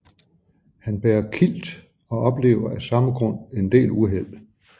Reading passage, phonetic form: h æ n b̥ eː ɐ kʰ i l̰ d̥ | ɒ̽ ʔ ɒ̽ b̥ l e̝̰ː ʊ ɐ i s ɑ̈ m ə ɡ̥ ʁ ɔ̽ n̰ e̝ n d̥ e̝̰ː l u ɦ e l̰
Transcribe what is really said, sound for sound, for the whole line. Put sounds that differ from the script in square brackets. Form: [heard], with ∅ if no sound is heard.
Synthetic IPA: h æ n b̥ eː ɐ kʰ i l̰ d̥ | ɒ̽ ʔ ɒ̽ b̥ l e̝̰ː ʊ ɐ [æ] s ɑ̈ m ə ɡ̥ ʁ ɔ̽ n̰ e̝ n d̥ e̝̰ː l u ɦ e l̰